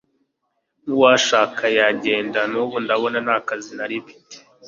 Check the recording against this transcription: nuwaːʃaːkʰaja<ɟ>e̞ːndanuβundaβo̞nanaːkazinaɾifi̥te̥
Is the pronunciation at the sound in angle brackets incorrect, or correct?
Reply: correct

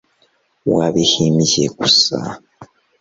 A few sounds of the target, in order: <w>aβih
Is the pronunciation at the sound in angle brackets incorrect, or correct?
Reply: correct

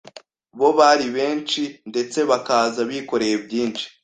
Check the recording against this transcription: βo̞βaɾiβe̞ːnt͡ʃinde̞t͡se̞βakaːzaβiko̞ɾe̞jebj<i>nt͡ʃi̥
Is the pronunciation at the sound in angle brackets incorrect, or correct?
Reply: incorrect: iː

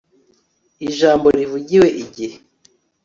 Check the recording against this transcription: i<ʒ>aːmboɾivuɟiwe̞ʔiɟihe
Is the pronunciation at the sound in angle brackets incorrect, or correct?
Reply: correct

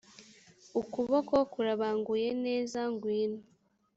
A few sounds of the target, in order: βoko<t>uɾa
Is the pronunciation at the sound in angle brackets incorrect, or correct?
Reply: incorrect: k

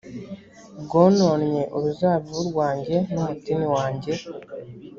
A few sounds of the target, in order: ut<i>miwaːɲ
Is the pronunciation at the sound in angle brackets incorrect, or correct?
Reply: correct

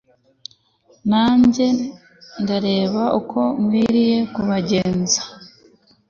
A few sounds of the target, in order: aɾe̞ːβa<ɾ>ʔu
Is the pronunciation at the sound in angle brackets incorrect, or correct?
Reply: incorrect: none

